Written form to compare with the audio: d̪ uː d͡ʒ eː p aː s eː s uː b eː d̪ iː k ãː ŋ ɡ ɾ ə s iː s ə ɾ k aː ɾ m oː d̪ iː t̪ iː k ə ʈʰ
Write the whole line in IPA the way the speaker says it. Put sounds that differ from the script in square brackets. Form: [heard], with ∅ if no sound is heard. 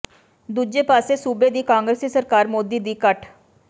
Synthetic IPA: d̪ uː d͡ʒ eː p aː s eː s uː b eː d̪ iː k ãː ŋ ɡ ɾ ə s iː s ə ɾ k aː ɾ m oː d̪ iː [d̪] iː k ə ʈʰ

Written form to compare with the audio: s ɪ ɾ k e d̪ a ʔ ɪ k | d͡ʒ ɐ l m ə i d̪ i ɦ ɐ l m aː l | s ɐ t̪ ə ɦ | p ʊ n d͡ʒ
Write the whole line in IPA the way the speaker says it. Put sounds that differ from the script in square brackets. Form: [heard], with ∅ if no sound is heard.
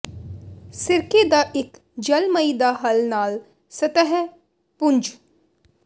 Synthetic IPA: s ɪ ɾ k e d̪ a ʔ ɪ k | d͡ʒ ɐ l m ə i d̪ [a] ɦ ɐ l [n] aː l | s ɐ t̪ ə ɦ | p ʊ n d͡ʒ

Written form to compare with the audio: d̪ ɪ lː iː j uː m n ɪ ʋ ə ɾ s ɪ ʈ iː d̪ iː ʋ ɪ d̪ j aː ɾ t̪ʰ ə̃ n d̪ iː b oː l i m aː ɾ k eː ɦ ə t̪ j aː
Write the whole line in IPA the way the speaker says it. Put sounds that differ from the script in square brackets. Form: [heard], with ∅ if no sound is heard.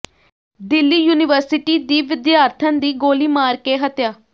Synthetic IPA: d̪ ɪ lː iː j uː [∅] n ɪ ʋ ə ɾ s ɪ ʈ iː d̪ iː ʋ ɪ d̪ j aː ɾ t̪ʰ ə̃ n d̪ iː [ɡ] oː l [iː] m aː ɾ k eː ɦ ə t̪ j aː

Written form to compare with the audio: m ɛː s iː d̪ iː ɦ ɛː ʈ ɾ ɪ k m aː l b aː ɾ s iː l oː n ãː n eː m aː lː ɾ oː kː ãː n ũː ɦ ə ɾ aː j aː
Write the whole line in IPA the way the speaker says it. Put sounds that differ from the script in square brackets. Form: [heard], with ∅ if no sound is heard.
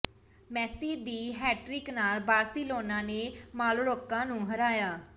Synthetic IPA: m ɛː s iː d̪ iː ɦ ɛː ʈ ɾ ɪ k [n] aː l b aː ɾ s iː l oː n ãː n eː m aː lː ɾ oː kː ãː n ũː ɦ ə ɾ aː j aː

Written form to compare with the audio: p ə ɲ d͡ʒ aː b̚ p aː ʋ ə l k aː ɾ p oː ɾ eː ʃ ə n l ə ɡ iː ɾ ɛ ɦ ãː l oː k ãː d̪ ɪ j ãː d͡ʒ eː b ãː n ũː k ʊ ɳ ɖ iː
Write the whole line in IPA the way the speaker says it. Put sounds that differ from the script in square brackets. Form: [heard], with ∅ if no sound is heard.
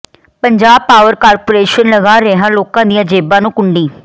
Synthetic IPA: p ə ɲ d͡ʒ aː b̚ p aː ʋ ə [ɾ] k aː ɾ p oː ɾ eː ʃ ə n l ə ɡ [aː] ɾ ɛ ɦ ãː l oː k ãː d̪ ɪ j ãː d͡ʒ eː b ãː n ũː k ʊ ɳ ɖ iː

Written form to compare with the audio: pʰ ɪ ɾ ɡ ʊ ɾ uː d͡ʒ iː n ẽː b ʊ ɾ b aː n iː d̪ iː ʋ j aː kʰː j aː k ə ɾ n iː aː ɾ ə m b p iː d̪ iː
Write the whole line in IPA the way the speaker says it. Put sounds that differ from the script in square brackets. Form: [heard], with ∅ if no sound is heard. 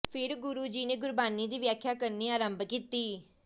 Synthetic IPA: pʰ ɪ ɾ ɡ ʊ ɾ uː d͡ʒ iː n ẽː [ɡ] ʊ ɾ b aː n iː d̪ iː ʋ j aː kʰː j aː k ə ɾ n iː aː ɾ ə m b [k] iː [t̪] iː

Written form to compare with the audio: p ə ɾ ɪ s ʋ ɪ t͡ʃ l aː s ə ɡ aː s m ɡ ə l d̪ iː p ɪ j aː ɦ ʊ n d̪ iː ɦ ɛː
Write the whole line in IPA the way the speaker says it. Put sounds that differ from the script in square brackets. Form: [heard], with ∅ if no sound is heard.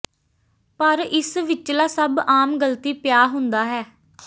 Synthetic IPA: p ə ɾ ɪ s ʋ ɪ t͡ʃ l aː s ə [b] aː [∅] m ɡ ə l [t̪] iː p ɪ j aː ɦ ʊ n d̪ [aː] ɦ ɛː

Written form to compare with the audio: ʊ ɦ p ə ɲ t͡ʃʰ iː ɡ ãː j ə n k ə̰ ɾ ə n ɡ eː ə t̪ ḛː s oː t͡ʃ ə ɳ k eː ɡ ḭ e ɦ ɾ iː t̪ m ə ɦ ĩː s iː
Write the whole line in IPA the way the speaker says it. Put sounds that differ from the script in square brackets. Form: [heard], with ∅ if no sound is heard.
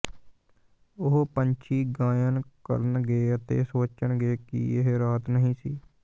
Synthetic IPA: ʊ ɦ p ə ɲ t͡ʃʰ iː ɡ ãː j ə n k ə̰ ɾ ə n ɡ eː ə t̪ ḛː s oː t͡ʃ ə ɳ [ɡ] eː [k] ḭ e ɦ ɾ [aː] t̪ [n] ə ɦ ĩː s iː

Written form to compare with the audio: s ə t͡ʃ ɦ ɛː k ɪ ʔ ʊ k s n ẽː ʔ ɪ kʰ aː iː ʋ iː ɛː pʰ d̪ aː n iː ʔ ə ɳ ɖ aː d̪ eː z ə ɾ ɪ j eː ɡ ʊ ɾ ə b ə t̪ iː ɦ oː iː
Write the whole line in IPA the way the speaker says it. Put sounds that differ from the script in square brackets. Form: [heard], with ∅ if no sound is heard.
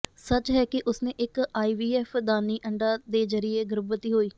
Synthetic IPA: s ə t͡ʃ ɦ ɛː k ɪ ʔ ʊ [∅] s n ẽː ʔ ɪ [k] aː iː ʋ iː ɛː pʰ d̪ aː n iː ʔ ə ɳ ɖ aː d̪ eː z ə ɾ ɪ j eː ɡ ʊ ɾ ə b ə t̪ iː ɦ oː iː

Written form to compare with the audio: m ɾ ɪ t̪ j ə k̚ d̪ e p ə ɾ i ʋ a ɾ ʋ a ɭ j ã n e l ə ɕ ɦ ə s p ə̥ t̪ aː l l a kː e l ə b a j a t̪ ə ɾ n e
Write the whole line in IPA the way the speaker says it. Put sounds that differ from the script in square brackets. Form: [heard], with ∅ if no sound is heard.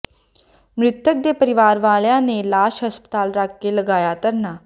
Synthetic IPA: m ɾ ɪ t̪ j ə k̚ d̪ e p ə ɾ i ʋ a ɾ ʋ a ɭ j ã n e l [a] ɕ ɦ ə s p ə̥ t̪ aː l [ɾ] a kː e l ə [ɡ] a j a t̪ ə ɾ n [a]

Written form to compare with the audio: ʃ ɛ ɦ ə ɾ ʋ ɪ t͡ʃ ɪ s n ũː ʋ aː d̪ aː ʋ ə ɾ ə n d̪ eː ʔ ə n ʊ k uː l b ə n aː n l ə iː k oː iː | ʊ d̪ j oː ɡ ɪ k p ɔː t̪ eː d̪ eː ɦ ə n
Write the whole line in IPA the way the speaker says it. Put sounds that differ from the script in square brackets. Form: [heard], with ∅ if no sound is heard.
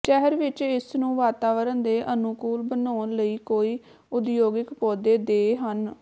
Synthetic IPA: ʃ ɛ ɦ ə ɾ ʋ ɪ t͡ʃ ɪ s n ũː ʋ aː [t̪] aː ʋ ə ɾ ə n d̪ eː ʔ ə n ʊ k uː l b ə n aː n l ə iː k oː iː | ʊ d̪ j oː ɡ ɪ k p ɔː [d̪] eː d̪ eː ɦ ə n

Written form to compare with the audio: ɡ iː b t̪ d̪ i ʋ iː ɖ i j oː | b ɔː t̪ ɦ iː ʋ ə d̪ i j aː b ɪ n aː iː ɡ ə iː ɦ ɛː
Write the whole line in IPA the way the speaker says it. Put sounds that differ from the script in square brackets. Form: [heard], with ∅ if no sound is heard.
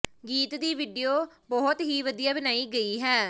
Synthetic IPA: ɡ iː [∅] t̪ d̪ [iː] ʋ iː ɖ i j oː | b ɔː t̪ ɦ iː ʋ ə d̪ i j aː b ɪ n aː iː ɡ ə iː ɦ ɛː

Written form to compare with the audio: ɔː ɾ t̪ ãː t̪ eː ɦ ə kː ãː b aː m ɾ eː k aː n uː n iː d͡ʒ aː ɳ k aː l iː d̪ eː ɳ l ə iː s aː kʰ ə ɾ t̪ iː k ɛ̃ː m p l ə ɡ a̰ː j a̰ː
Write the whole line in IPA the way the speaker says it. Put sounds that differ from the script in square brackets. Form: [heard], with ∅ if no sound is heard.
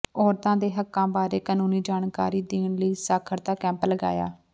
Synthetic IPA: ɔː ɾ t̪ ãː [d̪] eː ɦ ə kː ãː b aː [∅] ɾ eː k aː n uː n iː d͡ʒ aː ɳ k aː [ɾ] iː d̪ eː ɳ l ə iː s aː kʰ ə ɾ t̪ [aː] k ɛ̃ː m p l ə ɡ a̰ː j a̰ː

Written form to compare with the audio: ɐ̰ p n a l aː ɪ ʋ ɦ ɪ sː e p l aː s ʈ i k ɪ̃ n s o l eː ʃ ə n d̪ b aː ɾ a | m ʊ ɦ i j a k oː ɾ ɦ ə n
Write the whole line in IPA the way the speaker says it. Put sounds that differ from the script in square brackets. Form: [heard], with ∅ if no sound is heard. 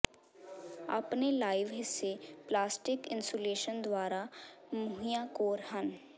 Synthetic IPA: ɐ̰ p n [e] l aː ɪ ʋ ɦ ɪ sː e p l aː s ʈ [ɪ] k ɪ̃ n s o l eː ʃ ə n d̪ [w] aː ɾ a | m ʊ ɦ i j a k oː ɾ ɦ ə n

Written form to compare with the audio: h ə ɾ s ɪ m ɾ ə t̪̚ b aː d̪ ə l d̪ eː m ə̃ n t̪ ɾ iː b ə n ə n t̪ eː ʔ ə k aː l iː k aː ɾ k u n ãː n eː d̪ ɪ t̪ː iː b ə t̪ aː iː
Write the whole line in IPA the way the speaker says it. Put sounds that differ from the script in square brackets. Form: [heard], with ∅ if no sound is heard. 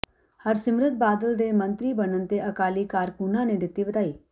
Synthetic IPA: h ə ɾ s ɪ m ɾ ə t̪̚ b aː d̪ ə l d̪ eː m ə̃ n t̪ ɾ iː b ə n ə n t̪ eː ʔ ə k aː l iː k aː ɾ k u n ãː n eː d̪ ɪ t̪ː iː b ə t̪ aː iː

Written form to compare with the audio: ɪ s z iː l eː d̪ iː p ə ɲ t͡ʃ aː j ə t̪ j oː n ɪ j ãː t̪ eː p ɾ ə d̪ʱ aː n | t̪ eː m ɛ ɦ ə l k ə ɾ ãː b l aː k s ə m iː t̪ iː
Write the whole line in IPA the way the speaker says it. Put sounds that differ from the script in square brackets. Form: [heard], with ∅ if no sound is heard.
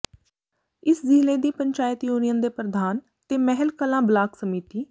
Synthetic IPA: ɪ s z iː l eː d̪ iː p ə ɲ t͡ʃ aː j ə t̪ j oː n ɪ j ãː [d̪] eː p ɾ ə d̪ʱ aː n | t̪ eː m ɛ ɦ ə l k ə [l] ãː b l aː k s ə m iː t̪ iː

